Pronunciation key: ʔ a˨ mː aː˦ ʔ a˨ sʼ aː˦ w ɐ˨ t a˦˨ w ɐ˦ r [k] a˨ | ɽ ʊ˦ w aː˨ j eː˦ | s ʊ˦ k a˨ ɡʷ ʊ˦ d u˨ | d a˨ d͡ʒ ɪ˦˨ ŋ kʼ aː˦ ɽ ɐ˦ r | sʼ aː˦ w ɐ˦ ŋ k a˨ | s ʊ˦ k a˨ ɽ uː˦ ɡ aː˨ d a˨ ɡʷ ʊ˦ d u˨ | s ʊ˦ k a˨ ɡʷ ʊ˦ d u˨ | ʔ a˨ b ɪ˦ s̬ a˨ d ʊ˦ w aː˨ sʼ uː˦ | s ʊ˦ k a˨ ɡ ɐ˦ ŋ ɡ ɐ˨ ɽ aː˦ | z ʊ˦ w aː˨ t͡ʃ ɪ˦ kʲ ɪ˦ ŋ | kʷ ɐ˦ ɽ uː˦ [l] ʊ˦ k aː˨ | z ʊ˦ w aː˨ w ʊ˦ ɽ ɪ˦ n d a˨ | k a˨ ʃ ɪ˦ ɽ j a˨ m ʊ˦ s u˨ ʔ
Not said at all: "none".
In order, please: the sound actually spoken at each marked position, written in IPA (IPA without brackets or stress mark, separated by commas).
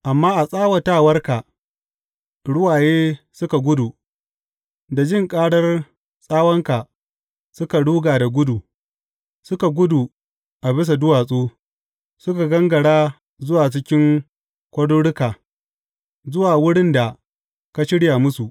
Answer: k, ɽ